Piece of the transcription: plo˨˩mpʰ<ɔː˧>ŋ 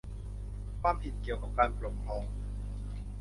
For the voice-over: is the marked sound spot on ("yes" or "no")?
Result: yes